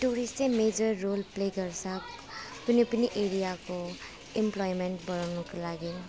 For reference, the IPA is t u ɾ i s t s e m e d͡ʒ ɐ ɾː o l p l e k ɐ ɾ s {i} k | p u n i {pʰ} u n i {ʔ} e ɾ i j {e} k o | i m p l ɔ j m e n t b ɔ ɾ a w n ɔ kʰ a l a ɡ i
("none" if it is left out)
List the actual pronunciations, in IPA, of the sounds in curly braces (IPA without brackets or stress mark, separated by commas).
a, p, ʔ, a